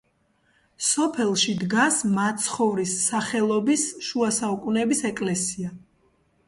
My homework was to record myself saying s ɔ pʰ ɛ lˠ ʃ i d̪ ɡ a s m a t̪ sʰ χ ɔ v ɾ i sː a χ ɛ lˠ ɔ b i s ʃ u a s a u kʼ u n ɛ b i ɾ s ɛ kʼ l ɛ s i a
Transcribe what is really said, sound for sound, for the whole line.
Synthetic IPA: s ɔ pʰ ɛ lˠ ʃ i d̪ ɡ a s m a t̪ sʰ χ ɔ v ɾ i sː a χ ɛ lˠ ɔ b i s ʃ u a s a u kʼ u n ɛ b i s ɛ kʼ l ɛ s i a